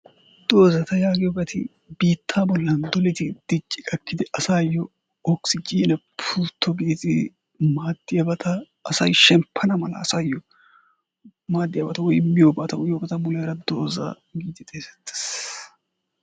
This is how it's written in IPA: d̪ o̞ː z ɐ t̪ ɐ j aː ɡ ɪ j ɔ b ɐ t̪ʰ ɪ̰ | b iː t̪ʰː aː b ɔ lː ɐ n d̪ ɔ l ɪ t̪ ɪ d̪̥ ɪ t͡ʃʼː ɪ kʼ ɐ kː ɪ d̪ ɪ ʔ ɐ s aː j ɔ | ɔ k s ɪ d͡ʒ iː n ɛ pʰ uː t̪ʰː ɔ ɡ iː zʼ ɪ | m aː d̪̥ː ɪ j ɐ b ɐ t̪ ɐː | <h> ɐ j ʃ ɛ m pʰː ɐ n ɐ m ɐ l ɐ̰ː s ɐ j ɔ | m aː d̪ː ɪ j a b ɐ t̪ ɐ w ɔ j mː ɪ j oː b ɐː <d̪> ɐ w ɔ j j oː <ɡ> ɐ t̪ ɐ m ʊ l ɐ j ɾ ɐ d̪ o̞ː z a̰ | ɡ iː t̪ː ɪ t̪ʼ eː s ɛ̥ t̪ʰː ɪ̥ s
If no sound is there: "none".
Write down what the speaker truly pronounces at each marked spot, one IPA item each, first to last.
s, t̪, b

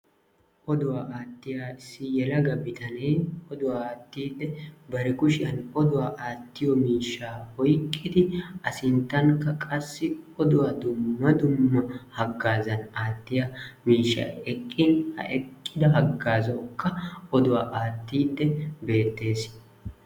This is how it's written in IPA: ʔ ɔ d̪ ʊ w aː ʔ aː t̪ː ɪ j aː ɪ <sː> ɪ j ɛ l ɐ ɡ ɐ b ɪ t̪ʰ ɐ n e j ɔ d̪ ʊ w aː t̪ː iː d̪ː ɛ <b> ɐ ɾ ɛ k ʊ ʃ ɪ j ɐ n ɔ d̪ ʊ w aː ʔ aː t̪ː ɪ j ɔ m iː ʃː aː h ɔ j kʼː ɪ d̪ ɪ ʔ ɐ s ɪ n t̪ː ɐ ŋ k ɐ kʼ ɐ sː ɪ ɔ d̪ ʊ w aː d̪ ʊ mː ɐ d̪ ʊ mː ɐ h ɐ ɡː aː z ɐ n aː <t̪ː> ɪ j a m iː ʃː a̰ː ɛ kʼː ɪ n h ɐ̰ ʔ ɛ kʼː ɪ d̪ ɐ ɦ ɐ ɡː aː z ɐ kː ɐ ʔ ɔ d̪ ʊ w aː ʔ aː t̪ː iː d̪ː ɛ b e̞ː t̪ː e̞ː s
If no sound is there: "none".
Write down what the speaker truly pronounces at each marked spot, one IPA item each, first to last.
sː, b, t̪ː

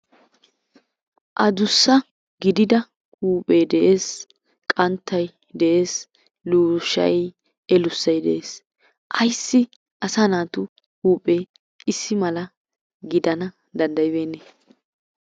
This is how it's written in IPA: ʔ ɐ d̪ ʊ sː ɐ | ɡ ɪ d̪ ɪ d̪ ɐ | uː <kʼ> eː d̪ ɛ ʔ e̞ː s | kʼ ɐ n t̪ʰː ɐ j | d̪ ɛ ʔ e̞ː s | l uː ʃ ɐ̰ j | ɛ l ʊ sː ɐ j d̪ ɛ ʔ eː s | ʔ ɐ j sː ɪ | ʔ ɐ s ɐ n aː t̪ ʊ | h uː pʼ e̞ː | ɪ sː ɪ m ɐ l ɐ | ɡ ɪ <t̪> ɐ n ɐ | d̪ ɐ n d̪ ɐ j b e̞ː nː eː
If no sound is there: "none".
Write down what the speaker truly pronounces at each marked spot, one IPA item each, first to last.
pʼ, d̪

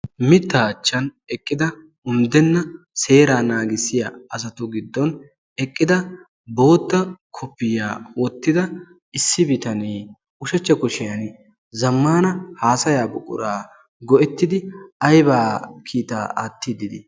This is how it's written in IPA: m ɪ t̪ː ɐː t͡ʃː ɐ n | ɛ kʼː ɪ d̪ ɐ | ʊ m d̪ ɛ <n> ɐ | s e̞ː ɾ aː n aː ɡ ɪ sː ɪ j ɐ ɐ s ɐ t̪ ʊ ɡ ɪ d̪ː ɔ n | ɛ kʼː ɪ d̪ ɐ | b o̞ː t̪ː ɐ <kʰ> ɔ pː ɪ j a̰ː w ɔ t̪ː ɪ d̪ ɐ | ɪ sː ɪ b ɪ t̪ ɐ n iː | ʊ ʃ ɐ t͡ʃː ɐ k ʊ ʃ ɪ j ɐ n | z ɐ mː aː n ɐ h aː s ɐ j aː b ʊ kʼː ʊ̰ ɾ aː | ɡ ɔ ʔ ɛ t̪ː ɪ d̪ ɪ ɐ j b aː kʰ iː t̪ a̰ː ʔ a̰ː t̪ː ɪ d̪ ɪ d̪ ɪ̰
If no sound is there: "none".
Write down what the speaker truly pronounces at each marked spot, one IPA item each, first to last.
nː, kʰ

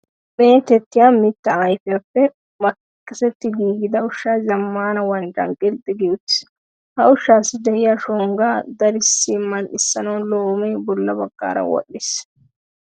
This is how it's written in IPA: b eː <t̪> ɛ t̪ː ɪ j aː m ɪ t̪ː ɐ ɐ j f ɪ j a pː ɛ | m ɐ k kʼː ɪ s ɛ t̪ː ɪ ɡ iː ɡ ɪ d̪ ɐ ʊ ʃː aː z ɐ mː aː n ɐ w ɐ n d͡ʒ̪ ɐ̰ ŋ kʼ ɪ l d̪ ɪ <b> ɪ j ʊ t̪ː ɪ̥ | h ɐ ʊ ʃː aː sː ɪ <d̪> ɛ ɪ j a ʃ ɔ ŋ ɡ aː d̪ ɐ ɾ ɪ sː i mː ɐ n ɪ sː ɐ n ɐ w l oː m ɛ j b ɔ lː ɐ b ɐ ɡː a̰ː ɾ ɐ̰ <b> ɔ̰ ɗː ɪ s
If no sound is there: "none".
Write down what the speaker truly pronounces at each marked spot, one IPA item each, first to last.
t̪, ɡ, d̪, w

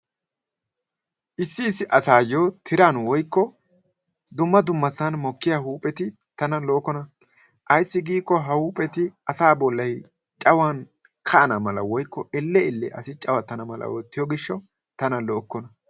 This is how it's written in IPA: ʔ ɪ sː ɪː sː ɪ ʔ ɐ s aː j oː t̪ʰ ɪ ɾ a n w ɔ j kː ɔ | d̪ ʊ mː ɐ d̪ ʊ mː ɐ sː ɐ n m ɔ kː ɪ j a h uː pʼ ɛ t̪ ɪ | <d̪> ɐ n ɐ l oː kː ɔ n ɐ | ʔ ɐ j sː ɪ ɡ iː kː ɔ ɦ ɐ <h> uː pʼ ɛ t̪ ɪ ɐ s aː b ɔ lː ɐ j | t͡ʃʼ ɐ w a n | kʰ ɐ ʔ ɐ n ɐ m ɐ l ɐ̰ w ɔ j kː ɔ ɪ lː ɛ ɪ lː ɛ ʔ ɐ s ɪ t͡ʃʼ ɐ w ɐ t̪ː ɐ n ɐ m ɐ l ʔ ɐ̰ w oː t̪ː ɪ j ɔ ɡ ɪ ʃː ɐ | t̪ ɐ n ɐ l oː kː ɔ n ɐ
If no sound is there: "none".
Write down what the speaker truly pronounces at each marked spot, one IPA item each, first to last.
t̪, h

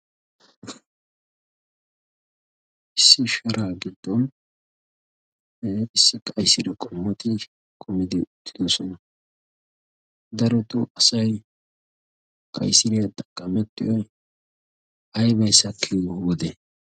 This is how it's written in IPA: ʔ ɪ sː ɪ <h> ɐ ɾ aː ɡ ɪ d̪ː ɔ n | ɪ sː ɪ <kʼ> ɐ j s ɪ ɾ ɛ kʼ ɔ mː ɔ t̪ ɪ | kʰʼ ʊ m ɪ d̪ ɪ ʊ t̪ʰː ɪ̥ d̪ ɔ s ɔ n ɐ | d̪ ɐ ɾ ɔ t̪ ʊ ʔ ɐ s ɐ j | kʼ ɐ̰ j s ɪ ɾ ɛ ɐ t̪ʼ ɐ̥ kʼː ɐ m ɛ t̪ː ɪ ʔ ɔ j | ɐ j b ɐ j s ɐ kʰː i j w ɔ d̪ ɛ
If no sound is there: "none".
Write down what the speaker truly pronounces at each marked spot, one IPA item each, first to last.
ʃ, kʼ

